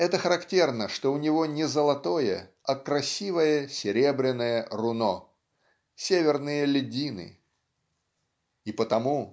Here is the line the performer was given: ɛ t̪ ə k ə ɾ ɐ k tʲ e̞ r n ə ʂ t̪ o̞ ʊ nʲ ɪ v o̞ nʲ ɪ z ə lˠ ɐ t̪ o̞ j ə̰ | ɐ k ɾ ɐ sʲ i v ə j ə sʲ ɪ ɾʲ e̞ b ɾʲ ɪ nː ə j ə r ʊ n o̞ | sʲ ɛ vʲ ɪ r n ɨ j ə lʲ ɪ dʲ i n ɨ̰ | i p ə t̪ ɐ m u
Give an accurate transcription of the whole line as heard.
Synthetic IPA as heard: ɛ t̪ ə x ə ɾ ɐ k tʲ e̞ r n ə ʂ t̪ o̞ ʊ nʲ ɪ v o̞ nʲ ɪ z ə lˠ ɐ t̪ o̞ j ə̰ | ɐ k ɾ ɐ sʲ i v ə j ə sʲ ɪ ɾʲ e̞ b ɾʲ ɪ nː ə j ə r ʊ n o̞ | sʲ e vʲ ɪ r n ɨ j ə lʲ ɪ dʲ i n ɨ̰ | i p ə t̪ ɐ m u